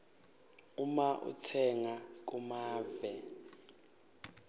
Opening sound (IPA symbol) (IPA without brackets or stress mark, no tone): u